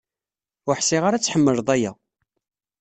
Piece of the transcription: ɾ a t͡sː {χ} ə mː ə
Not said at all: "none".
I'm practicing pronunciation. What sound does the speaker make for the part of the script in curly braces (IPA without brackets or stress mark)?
ħ